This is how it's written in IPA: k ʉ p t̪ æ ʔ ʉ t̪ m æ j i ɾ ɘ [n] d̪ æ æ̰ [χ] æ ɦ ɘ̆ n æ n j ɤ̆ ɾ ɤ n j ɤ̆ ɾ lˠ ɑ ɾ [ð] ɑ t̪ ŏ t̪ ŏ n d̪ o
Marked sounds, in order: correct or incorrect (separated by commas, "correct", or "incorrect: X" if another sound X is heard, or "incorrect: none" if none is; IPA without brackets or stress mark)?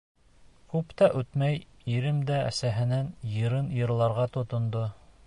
incorrect: m, incorrect: s, incorrect: ʁ